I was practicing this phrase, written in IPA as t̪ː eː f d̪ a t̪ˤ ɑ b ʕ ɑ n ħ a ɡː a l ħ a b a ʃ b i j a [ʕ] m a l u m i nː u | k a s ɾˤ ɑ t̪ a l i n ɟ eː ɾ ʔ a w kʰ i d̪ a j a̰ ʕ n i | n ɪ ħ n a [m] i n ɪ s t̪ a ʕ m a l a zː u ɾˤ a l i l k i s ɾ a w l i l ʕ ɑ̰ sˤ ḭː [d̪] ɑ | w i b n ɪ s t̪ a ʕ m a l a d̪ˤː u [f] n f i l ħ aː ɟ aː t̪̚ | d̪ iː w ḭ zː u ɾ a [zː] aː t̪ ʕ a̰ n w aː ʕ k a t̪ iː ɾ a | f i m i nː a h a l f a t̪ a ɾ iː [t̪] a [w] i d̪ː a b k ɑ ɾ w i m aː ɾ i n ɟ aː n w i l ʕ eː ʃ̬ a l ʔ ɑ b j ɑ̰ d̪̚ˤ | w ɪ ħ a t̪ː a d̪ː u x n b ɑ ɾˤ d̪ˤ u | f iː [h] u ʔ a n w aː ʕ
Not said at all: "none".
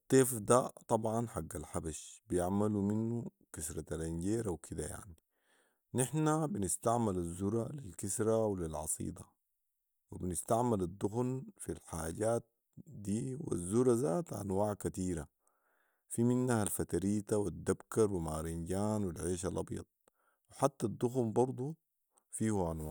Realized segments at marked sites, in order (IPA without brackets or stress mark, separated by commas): ʕ, b, d̪, x, z, t̪, w, h